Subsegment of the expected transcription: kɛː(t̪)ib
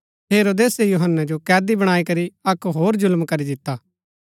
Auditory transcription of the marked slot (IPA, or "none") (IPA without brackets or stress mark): d̪